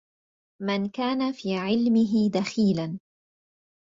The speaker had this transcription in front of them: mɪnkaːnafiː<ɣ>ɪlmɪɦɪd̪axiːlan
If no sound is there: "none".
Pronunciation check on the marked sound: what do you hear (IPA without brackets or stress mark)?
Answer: ʕ